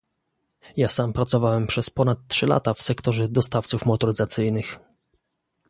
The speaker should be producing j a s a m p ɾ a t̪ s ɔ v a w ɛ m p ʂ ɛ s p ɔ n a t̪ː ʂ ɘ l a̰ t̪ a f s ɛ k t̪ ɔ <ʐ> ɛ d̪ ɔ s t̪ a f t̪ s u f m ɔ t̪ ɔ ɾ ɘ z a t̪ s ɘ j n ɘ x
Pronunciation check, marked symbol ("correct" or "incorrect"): correct